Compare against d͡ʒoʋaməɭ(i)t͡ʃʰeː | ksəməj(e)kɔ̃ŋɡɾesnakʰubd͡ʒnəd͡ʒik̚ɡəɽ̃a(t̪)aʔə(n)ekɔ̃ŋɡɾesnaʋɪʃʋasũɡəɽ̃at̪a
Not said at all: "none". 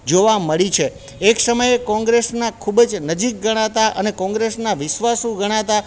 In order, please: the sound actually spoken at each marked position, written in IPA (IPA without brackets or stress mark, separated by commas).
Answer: i, e, t̪, n